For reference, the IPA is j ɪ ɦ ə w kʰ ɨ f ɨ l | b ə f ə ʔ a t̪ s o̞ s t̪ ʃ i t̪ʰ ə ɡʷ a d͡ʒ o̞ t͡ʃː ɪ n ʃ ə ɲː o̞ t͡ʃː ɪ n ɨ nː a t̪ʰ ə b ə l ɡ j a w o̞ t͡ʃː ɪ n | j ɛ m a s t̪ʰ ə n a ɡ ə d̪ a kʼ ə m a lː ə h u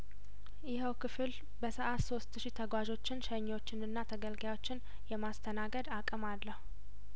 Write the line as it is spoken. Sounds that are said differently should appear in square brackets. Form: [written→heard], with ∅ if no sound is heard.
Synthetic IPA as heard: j ɪ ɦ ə w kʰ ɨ f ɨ l | b ə [f→s] ə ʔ a t̪ s o̞ s t̪ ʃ i t̪ʰ ə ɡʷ a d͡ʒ o̞ t͡ʃː ɪ n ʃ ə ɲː o̞ t͡ʃː ɪ n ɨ nː a t̪ʰ ə [b→ɡ] ə l ɡ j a w o̞ t͡ʃː ɪ n | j ɛ m a s t̪ʰ ə n a ɡ ə d̪ a kʼ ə m a lː ə h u